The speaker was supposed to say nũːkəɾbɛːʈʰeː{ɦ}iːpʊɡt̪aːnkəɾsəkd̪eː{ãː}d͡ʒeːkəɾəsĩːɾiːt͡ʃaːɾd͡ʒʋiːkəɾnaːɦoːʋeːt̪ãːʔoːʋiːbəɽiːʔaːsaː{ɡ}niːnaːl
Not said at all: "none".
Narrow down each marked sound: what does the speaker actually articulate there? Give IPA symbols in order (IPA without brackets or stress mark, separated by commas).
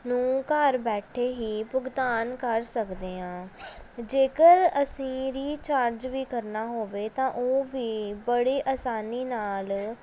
ɦ, ãː, none